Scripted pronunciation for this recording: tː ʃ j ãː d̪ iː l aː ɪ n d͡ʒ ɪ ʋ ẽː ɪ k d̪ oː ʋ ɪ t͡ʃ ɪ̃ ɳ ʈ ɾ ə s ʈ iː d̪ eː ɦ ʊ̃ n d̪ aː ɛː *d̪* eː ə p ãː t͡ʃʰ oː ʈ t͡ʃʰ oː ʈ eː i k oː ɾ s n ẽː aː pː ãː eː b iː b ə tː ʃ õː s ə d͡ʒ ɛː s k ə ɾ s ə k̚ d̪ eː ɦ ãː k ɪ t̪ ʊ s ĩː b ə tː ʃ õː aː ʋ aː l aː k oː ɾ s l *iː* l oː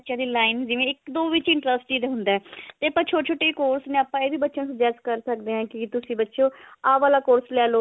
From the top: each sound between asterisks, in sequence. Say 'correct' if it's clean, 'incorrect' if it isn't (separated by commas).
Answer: incorrect, incorrect